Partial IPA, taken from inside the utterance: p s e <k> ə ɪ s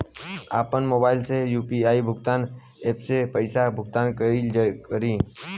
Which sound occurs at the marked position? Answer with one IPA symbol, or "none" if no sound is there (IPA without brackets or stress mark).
p